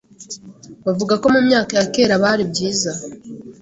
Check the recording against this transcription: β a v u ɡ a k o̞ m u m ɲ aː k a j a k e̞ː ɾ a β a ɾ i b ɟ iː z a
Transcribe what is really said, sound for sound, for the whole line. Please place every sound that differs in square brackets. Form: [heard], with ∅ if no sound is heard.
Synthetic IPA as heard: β a v u ɡ a k o̞ m u m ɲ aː k a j a k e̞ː ɾ a β a ɾ i b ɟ iː z a